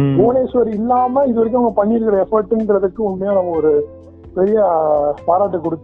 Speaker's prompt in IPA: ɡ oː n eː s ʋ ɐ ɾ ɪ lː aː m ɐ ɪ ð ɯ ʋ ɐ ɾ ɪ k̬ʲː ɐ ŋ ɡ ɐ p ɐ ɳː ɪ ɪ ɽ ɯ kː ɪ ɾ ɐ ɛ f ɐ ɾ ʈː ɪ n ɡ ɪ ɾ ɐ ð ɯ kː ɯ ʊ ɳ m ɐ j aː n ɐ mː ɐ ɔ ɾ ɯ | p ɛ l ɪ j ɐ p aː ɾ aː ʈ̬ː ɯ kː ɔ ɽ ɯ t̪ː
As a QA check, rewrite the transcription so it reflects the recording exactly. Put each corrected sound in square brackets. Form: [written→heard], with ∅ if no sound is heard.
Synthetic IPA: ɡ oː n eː s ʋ ɐ ɾ ɪ lː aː m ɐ ɪ ð ɯ ʋ ɐ ɾ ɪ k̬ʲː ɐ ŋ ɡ ɐ p ɐ ɳː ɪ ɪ [ɽ→ɾ] ɯ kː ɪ ɾ ɐ ɛ f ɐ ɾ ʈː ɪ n ɡ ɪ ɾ ɐ ð ɯ kː ɯ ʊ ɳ m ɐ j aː n ɐ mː ɐ ɔ ɾ ɯ | p ɛ [l→ɾ] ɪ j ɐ p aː ɾ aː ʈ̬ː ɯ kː ɔ ɽ ɯ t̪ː